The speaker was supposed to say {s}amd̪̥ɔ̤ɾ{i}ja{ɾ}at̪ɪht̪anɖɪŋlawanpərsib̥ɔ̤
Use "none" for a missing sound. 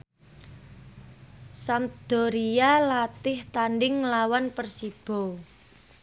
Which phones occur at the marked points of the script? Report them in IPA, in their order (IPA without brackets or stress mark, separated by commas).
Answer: s, i, l